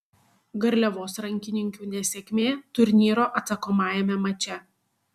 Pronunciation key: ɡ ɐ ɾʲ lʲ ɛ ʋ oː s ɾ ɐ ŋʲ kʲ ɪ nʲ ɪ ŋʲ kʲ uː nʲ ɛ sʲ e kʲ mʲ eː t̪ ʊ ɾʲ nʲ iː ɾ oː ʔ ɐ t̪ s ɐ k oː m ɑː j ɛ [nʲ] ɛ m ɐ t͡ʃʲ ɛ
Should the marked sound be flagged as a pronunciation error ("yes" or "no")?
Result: yes